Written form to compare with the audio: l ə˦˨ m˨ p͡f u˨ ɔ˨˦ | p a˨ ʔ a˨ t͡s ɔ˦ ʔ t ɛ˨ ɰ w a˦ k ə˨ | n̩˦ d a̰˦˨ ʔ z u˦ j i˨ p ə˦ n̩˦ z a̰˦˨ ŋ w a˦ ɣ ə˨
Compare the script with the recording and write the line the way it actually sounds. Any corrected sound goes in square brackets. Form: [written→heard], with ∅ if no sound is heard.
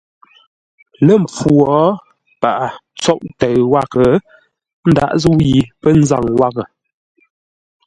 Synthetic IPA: l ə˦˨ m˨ p͡f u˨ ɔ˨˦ | p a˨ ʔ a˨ t͡s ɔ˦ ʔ t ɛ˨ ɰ w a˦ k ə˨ | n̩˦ d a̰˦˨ ʔ z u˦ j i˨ p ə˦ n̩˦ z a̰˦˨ ŋ w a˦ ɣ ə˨